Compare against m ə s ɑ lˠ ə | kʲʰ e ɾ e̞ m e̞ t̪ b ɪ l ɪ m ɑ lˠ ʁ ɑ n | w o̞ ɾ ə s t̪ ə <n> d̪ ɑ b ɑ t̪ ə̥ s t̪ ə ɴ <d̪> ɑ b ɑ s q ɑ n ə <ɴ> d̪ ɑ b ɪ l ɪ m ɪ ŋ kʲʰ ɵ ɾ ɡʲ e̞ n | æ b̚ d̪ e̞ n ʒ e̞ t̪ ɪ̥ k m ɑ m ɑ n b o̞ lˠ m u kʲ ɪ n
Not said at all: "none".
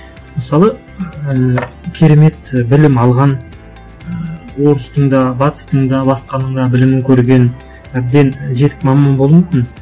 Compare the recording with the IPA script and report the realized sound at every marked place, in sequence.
ɴ, d̪, ɴ

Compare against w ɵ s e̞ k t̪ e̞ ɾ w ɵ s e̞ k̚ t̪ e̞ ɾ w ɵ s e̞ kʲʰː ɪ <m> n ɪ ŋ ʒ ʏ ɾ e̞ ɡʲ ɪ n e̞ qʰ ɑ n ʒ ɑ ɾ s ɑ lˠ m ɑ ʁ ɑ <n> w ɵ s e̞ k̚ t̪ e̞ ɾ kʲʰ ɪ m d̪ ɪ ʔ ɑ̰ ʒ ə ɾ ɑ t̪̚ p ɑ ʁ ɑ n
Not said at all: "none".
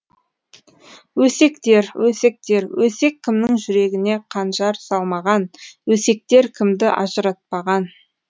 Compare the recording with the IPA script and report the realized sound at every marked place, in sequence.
m, n

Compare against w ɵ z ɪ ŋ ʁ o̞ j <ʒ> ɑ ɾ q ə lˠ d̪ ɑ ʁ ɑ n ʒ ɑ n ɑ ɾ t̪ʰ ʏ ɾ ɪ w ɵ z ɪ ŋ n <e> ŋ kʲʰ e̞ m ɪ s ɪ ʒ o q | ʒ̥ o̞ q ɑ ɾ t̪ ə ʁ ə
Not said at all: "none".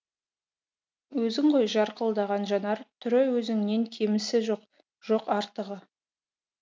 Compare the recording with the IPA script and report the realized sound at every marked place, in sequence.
ʒ, e

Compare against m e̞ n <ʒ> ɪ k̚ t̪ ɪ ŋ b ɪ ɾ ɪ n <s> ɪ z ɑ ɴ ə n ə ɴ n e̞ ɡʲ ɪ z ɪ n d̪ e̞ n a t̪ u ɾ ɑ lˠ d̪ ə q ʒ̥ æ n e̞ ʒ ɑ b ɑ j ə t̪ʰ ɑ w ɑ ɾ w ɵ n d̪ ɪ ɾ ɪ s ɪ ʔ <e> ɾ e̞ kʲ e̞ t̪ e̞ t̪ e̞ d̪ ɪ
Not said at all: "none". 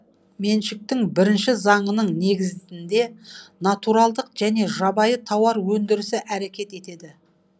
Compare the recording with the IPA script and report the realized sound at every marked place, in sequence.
ʃ, ʃ, æ

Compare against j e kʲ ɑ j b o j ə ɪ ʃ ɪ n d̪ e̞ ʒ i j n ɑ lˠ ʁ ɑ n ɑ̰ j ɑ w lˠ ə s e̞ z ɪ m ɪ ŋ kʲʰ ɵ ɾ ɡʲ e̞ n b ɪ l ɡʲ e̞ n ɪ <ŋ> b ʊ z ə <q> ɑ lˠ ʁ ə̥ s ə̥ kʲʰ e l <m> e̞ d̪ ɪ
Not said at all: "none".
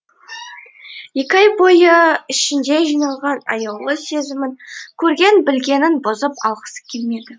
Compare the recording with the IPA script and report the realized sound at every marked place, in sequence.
n, p, m

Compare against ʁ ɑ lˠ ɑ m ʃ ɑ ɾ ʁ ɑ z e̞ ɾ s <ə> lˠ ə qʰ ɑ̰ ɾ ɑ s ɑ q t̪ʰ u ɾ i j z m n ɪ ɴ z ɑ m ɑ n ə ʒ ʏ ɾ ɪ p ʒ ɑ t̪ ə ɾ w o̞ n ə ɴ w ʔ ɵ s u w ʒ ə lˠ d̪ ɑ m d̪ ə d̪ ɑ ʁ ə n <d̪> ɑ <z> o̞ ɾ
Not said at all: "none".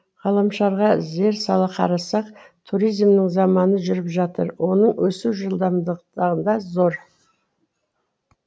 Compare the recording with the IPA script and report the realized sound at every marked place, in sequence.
ɑ, d̪, z

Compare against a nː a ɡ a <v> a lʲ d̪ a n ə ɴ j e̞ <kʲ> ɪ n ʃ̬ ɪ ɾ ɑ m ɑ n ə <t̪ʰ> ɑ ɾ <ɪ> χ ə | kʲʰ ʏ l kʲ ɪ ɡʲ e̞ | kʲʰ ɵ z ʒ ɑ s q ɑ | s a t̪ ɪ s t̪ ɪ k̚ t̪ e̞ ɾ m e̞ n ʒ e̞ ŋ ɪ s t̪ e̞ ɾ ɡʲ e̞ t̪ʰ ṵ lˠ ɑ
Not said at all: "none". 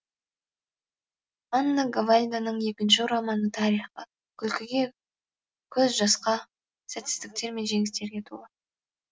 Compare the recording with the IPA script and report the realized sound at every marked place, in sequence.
v, kʲ, t̪ʰ, i

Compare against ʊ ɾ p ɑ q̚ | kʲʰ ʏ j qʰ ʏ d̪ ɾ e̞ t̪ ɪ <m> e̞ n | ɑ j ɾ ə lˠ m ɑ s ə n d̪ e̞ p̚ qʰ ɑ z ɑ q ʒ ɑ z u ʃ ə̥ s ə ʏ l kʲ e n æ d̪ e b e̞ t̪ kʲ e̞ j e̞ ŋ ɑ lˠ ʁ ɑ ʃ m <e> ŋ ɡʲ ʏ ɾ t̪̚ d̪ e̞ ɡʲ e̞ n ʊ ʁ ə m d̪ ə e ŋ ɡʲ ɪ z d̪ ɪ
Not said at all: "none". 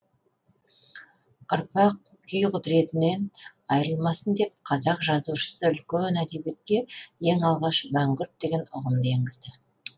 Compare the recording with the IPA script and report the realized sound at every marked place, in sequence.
n, æ

